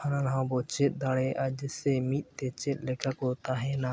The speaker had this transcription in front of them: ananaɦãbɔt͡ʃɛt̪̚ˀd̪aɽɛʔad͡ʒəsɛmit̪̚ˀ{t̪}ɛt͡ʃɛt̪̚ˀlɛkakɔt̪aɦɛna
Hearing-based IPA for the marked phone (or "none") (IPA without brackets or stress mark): t̪